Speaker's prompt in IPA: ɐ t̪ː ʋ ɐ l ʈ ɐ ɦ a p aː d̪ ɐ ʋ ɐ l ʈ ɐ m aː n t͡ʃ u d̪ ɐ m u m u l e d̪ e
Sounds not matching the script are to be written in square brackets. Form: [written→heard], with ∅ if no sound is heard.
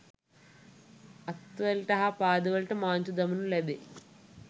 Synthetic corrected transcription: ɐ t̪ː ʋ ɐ l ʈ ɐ ɦ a p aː d̪ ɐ ʋ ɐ l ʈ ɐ m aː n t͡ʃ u d̪ ɐ m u [m→n] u l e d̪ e

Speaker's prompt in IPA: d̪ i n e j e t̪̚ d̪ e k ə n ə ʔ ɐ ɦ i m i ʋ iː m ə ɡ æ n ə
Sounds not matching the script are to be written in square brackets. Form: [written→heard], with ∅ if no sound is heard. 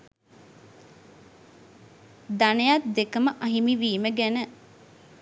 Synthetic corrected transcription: d̪ [i→a] n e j [e→a] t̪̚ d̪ e k ə [n→m] ə ʔ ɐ ɦ i m i ʋ iː m ə ɡ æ n ə

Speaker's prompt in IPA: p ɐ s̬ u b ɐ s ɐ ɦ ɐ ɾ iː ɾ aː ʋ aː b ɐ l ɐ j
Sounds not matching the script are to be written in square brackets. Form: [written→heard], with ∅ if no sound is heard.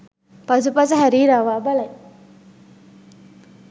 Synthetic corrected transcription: p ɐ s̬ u [b→p] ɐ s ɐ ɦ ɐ ɾ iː ɾ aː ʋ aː b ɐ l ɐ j

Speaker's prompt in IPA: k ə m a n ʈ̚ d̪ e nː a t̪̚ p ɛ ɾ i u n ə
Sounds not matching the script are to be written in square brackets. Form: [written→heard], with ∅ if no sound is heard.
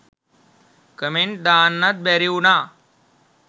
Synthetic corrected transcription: k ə m [a→e] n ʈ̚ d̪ [e→a] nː a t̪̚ [p→b] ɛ ɾ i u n [ə→a]

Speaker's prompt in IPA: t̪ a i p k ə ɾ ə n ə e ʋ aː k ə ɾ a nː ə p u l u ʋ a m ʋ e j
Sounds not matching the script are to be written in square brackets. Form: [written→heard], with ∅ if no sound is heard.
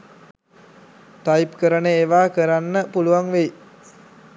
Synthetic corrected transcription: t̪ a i p k ə ɾ ə n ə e ʋ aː k ə ɾ a nː ə p u l u ʋ a [m→ŋ] ʋ e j

